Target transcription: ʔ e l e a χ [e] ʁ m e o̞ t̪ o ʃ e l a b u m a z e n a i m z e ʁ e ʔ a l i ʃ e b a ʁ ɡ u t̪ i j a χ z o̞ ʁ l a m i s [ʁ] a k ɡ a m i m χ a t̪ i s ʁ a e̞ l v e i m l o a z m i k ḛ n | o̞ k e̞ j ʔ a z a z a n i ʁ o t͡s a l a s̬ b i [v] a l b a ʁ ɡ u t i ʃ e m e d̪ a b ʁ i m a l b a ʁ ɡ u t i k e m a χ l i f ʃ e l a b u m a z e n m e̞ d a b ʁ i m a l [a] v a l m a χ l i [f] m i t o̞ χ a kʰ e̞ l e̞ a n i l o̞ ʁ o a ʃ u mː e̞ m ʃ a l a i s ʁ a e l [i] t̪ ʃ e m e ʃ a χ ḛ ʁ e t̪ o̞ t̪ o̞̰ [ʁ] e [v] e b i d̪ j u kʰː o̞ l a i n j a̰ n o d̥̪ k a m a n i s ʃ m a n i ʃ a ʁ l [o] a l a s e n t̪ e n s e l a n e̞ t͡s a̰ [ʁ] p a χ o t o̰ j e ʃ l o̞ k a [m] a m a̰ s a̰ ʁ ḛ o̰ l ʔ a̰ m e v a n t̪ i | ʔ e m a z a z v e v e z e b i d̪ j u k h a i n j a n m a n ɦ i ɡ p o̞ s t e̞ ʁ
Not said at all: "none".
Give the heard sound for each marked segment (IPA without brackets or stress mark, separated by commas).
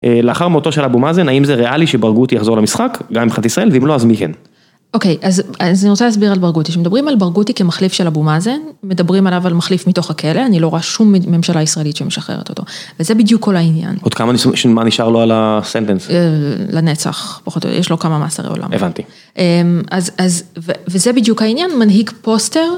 a, χ, ʁ, a, f, i, v, z, o, χ, m